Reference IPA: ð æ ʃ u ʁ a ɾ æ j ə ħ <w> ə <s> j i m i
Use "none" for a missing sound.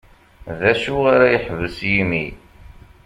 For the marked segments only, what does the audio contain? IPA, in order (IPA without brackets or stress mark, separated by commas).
v, s